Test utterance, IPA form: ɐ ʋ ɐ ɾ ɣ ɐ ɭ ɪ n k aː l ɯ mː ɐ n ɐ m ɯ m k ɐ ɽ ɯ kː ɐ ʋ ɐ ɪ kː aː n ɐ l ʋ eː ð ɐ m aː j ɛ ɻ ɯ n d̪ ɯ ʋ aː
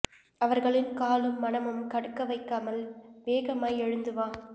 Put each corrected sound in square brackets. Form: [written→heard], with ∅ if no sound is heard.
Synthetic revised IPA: ɐ ʋ ɐ ɾ ɣ ɐ ɭ ɪ n k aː l ɯ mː ɐ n ɐ m ɯ m k ɐ ɽ ɯ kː ɐ ʋ ɐ ɪ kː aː [n→m] ɐ l ʋ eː [ð→ɣ] ɐ m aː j ɛ ɻ ɯ n d̪ ɯ ʋ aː